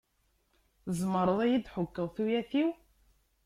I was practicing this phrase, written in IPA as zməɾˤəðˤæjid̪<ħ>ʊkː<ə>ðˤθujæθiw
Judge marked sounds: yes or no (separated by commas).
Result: yes, yes